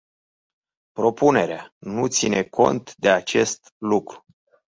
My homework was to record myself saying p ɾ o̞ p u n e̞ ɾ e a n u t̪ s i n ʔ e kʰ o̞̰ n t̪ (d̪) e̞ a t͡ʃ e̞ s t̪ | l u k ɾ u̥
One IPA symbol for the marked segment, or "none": d̪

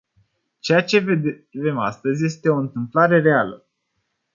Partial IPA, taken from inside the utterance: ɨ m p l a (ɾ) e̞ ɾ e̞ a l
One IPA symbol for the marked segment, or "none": ɾ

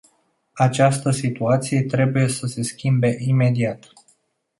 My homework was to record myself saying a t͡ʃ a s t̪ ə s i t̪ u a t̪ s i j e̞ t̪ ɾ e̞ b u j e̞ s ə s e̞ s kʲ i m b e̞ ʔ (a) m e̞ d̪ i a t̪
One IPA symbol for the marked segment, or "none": i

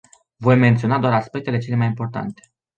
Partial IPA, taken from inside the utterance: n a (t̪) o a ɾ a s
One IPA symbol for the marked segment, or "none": d̪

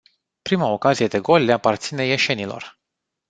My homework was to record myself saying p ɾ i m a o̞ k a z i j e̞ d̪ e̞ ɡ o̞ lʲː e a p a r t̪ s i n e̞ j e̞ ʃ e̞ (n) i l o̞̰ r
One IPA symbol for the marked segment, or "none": n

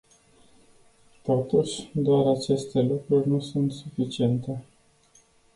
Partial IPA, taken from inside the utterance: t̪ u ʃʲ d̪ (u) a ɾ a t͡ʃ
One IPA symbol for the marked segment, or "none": o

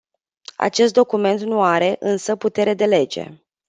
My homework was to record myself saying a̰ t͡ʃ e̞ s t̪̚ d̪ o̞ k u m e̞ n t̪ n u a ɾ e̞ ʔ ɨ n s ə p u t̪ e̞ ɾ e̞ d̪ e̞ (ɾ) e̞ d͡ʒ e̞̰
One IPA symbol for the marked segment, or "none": l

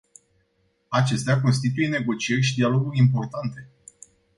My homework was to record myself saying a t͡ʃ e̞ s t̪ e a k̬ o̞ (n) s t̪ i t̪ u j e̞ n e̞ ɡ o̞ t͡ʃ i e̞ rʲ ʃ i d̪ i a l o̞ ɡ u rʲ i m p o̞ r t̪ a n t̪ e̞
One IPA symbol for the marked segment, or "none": n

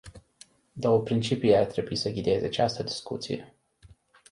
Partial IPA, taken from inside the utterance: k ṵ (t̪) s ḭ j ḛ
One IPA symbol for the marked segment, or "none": t̪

